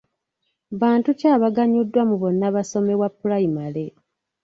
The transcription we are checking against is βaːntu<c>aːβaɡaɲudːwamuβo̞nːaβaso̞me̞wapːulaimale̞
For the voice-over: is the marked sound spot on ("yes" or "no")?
yes